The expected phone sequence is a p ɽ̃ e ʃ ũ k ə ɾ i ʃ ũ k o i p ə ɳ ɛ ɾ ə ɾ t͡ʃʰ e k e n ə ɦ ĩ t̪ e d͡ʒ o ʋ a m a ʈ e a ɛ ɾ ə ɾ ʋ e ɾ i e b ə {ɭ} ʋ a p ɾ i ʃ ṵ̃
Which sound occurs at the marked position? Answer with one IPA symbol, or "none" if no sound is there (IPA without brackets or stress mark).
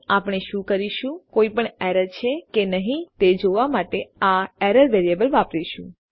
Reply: l